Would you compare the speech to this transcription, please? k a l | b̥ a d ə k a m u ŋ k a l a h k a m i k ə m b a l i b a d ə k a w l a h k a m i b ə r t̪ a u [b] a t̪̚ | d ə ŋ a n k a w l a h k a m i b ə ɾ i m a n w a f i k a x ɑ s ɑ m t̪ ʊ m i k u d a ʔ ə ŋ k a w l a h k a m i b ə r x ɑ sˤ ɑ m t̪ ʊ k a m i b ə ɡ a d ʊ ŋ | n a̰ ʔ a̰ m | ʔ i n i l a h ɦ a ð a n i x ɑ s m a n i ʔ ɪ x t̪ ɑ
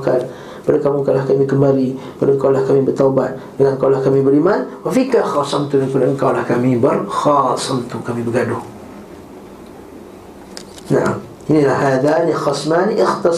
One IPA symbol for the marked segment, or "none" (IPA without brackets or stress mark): b